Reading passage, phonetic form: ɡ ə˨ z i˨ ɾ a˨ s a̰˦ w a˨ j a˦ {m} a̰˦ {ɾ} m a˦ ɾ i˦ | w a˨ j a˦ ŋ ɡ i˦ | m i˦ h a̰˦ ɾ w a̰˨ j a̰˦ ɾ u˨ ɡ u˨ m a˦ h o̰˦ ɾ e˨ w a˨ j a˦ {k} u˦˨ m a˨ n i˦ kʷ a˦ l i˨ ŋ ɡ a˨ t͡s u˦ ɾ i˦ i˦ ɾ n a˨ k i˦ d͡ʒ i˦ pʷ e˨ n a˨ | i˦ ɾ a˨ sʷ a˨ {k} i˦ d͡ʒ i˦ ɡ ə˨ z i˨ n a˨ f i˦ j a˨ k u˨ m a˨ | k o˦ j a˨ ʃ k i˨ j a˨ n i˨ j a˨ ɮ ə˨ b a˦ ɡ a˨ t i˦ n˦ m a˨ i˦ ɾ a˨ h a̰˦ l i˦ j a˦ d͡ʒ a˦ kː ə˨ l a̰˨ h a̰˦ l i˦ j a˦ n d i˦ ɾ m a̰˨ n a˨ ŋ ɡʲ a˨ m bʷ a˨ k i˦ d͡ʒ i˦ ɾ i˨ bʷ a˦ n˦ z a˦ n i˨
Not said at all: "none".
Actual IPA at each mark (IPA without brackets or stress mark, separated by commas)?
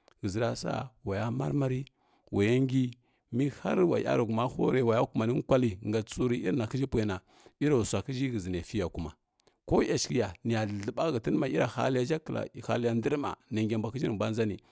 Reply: m, ɾ, k, k